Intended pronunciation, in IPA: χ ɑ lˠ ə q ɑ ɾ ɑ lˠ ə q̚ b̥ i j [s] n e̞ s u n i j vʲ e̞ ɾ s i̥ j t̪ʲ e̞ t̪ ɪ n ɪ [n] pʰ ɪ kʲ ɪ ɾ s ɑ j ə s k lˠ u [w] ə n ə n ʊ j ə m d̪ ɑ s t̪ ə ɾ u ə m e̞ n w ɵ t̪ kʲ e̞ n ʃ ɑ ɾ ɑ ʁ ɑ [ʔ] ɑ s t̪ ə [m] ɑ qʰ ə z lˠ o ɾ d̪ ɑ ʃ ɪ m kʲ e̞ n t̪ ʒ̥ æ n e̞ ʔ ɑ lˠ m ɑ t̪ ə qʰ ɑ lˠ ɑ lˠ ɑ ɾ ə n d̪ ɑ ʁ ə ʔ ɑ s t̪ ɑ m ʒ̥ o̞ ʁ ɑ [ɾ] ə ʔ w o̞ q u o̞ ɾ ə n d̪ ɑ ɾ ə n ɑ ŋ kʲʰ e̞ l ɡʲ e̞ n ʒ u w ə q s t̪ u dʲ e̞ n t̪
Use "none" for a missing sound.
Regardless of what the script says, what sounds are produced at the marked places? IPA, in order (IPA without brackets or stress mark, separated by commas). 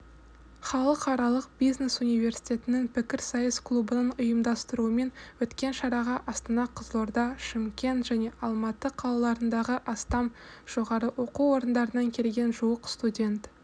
z, ŋ, b, ʔ, n, ɾ